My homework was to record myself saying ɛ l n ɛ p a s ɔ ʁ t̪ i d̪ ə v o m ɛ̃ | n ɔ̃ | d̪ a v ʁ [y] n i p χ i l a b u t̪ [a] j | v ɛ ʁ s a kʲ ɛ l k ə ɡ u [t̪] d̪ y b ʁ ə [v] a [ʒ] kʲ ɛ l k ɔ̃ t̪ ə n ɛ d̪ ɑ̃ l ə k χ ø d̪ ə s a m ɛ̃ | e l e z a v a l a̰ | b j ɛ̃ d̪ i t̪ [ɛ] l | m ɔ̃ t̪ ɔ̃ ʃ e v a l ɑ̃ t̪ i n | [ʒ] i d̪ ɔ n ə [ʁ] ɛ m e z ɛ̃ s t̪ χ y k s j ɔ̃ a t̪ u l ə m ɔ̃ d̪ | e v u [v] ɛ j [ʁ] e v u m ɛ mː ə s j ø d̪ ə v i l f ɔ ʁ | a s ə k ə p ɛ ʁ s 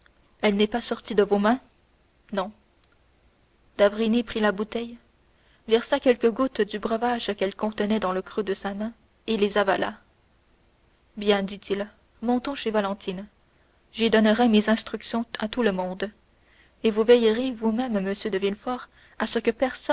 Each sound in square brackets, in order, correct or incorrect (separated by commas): incorrect, incorrect, correct, correct, correct, incorrect, correct, correct, correct, correct